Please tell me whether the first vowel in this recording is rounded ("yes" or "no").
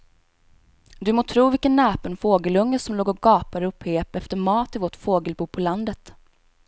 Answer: yes